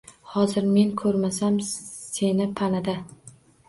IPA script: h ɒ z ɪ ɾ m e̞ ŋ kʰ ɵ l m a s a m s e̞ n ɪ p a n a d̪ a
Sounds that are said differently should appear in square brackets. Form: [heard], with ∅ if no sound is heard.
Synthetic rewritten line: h ɒ z ɪ ɾ m e̞ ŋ kʰ ɵ [ɾ] m a s a m s e̞ n ɪ [pʰ] a n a d̪ a